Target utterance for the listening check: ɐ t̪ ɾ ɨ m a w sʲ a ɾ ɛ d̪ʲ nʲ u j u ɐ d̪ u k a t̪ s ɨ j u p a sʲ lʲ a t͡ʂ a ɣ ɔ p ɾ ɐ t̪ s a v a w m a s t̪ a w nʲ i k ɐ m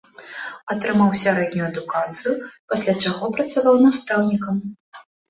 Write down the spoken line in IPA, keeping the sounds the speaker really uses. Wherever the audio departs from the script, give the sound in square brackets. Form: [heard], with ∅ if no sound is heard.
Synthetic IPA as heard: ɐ t̪ ɾ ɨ m a w sʲ a ɾ ɛ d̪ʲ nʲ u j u ɐ d̪ u k a t̪ s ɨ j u p a sʲ lʲ a t͡ʂ a ɣ ɔ p ɾ ɐ t̪ s a v a w [n] a s t̪ a w nʲ i k ɐ m